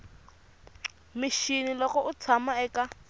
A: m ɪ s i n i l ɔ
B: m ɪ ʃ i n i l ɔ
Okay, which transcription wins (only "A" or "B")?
B